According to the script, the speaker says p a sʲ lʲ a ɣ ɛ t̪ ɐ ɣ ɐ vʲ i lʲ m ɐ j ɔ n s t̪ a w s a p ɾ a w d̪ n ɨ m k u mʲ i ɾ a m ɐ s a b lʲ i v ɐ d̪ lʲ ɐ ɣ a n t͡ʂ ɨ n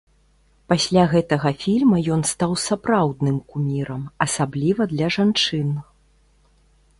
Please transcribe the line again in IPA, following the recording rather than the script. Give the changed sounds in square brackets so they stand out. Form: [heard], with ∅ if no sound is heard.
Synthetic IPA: p a sʲ lʲ a ɣ ɛ t̪ ɐ ɣ ɐ [fʲ] i lʲ m ɐ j ɔ n s t̪ a w s a p ɾ a w d̪ n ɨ m k u mʲ i ɾ [ɐ] m ɐ s a b lʲ i v ɐ d̪ lʲ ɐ [ʐ] a n t͡ʂ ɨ n